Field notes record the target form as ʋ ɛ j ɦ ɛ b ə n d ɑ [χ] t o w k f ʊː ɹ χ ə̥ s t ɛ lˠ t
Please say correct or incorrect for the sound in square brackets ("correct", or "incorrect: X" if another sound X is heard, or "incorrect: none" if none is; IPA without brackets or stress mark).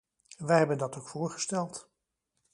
incorrect: none